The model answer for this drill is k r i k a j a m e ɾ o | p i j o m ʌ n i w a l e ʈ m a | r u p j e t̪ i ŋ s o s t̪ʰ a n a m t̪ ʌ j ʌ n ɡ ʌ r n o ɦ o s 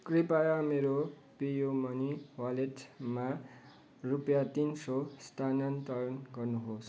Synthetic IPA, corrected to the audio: k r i p a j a m e ɾ o | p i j o m ʌ n i w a l e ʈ m a | r u p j a t̪ i n s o s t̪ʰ a n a n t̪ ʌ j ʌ n ɡ ʌ r n u ɦ o s